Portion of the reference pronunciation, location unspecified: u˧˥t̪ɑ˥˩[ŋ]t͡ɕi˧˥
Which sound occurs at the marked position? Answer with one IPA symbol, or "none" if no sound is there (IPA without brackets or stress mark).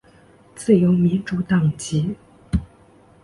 ŋ